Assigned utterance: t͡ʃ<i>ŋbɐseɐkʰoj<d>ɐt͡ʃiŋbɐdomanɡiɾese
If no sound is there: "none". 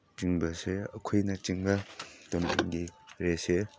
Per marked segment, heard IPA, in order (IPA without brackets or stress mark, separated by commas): i, n